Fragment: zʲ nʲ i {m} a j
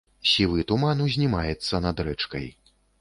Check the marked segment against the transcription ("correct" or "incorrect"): correct